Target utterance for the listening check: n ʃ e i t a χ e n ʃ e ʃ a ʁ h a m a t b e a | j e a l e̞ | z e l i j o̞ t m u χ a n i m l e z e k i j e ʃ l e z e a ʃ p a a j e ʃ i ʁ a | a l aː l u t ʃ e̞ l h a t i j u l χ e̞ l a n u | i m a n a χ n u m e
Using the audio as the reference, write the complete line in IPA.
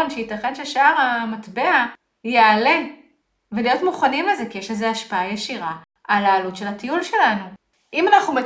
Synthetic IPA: n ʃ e i t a χ e n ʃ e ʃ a ʁ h a m a t b e a | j e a l e̞ | v e l i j o̞ t m u χ a n i m l e z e k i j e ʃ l e z e a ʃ p a a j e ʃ i ʁ a | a l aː l u t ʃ e̞ l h a t i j u l ʃ e̞ l a n u | i m a n a χ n u m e